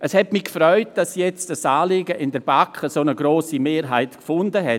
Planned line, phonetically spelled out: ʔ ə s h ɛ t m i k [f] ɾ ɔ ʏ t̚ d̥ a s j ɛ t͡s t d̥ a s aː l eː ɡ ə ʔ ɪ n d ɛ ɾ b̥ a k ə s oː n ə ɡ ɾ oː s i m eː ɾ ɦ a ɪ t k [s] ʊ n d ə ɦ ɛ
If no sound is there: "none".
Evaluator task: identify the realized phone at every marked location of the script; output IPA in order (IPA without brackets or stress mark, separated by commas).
f, f